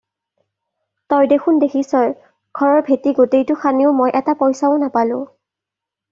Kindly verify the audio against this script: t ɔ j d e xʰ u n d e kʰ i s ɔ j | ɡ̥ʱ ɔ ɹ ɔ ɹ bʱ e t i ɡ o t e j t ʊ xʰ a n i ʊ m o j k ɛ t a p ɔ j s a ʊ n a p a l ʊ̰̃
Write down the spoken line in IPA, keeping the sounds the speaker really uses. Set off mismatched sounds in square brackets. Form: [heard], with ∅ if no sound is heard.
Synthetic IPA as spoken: t ɔ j d e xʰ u n d e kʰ i s ɔ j | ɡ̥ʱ ɔ ɹ ɔ ɹ bʱ e t i ɡ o t e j t ʊ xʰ a n i ʊ m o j [ʔ] ɛ t a p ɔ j s a ʊ n a p a l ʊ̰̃